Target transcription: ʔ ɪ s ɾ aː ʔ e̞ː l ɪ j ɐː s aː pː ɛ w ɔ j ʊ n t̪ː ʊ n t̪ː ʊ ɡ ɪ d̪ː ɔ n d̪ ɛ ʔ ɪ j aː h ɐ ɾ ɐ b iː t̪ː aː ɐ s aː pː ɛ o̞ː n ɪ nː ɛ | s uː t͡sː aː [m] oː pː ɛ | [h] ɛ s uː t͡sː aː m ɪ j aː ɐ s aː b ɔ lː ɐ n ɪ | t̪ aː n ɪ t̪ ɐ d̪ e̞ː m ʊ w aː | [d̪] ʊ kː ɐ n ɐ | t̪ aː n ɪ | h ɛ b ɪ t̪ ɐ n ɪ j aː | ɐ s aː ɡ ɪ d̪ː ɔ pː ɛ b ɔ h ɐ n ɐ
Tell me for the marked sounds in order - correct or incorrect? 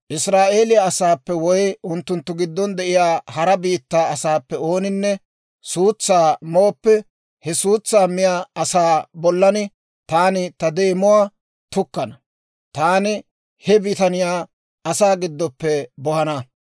correct, correct, incorrect

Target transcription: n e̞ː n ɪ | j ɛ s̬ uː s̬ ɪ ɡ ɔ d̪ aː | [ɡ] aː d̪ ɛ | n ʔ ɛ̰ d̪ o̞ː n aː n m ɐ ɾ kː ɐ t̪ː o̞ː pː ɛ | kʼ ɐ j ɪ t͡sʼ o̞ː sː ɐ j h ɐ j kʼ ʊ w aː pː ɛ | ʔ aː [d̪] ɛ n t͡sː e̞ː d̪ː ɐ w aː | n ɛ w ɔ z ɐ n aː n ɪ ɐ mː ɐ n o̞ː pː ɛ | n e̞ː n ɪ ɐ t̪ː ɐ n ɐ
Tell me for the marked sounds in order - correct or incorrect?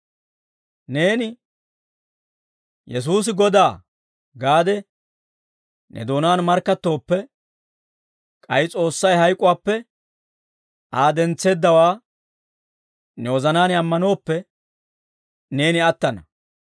correct, correct

